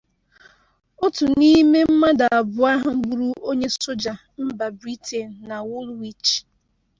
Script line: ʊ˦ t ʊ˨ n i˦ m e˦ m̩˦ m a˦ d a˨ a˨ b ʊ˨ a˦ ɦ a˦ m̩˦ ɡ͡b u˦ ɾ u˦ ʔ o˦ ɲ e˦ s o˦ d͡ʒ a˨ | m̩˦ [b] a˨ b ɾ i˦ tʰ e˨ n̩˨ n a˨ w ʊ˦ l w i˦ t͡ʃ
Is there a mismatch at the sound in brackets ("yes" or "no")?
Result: no